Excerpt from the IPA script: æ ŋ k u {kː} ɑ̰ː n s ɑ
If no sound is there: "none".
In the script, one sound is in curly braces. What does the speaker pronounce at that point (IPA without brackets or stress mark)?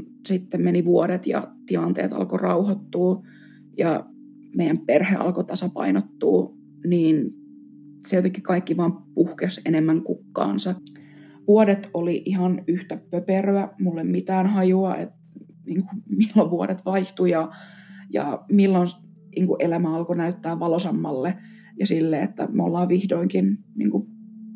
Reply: kː